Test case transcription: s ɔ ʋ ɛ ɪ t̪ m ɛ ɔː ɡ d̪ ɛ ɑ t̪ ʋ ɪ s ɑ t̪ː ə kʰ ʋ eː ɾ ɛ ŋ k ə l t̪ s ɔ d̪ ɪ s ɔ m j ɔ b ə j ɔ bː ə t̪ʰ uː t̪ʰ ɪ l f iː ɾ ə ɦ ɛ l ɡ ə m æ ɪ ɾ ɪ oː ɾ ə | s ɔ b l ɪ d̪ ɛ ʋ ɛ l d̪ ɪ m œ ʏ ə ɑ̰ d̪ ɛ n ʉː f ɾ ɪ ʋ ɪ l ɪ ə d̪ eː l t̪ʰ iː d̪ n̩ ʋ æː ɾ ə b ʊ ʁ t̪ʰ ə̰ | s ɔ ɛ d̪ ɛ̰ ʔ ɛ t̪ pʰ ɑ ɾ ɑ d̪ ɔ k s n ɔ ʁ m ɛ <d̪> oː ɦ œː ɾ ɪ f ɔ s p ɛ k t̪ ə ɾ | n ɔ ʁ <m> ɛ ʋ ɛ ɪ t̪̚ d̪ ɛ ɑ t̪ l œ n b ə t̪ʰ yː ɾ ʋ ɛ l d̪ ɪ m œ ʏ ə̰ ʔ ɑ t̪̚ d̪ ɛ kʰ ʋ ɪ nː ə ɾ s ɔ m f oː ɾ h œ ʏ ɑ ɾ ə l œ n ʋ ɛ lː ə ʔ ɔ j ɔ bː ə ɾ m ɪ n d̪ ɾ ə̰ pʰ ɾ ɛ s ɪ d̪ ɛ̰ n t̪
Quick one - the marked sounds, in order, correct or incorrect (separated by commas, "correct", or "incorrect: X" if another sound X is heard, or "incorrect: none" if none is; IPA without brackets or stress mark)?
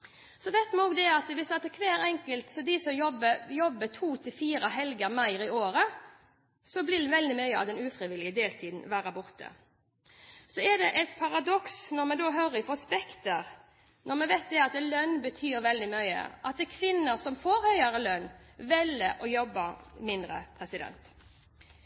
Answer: correct, correct